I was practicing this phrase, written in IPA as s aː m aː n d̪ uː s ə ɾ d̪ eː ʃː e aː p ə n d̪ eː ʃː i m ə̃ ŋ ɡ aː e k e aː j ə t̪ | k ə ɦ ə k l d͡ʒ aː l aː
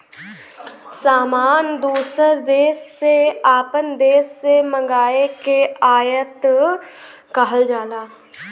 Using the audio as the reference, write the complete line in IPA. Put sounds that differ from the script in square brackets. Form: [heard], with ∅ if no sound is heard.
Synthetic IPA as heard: s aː m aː n d̪ uː s ə ɾ d̪ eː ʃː e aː p ə n d̪ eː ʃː [e] m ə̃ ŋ ɡ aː e k e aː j ə t̪ | k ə ɦ ə [∅] l d͡ʒ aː l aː

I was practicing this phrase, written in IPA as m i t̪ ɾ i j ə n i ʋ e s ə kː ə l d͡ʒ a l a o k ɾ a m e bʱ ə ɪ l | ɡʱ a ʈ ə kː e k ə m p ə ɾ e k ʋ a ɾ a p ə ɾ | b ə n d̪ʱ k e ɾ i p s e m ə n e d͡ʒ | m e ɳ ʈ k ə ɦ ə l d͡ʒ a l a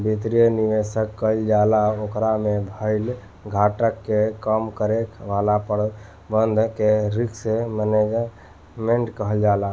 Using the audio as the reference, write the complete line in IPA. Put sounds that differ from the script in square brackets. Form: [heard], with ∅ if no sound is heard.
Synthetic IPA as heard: [b] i t̪ ɾ i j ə n i ʋ e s ə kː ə l d͡ʒ a l a o k ɾ a m e bʱ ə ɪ l | ɡʱ a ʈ ə kː e k ə m [k] ə ɾ e k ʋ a [l] a p ə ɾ | b ə n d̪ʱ k e ɾ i [k] s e m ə n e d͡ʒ | m e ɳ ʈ k ə ɦ ə l d͡ʒ a l a

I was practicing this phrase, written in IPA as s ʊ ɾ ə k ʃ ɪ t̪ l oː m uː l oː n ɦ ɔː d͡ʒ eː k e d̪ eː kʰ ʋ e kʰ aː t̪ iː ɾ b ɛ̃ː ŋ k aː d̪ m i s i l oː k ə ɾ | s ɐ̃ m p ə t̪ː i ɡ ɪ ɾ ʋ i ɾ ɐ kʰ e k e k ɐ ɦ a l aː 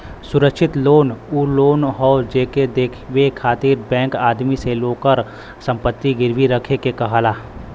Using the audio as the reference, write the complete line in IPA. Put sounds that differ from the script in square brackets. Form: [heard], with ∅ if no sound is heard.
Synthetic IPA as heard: s ʊ ɾ ə k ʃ ɪ t̪ l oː [n] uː l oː n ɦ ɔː d͡ʒ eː k e d̪ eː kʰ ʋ e kʰ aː t̪ iː ɾ b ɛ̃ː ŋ k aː d̪ m i s [e] l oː k ə ɾ | s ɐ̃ m p ə t̪ː i ɡ ɪ ɾ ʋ i ɾ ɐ kʰ e k e k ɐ ɦ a l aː

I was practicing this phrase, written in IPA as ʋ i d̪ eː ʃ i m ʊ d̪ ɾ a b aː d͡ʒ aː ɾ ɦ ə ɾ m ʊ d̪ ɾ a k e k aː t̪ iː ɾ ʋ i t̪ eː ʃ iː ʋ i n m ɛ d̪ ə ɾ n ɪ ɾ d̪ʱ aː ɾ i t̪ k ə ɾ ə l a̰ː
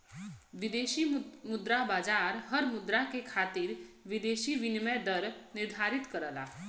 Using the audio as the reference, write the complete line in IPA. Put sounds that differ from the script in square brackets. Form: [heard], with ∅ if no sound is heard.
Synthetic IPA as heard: ʋ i d̪ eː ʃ i m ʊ d̪ ɾ a b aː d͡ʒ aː ɾ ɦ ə ɾ m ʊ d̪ ɾ a k e [kʰ] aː t̪ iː ɾ ʋ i [d̪] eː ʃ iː ʋ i n m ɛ d̪ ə ɾ n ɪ ɾ d̪ʱ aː ɾ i t̪ k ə ɾ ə l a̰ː

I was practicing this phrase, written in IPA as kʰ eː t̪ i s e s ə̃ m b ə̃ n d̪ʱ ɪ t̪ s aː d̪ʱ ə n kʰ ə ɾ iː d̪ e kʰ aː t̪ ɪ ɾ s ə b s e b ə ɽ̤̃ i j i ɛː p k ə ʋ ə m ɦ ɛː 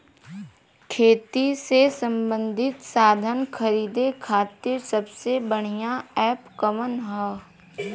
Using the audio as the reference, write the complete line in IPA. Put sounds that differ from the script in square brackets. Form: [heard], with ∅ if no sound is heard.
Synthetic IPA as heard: kʰ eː t̪ i s e s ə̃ m b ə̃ n d̪ʱ ɪ t̪ s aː d̪ʱ ə n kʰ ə ɾ iː d̪ e kʰ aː t̪ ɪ ɾ s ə b s e b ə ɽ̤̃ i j [a] ɛː p k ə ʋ ə [n] ɦ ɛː

